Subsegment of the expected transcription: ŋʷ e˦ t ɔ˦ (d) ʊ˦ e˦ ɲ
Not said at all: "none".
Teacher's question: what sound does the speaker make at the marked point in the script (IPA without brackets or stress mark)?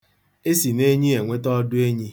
d